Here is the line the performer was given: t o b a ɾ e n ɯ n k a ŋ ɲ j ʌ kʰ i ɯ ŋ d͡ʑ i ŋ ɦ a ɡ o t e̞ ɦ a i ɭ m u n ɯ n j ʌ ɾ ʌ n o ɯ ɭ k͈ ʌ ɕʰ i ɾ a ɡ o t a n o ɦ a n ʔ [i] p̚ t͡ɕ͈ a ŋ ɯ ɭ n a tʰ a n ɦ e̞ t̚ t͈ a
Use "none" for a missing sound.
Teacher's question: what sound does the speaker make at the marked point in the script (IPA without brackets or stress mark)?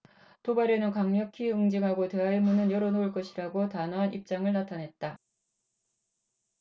i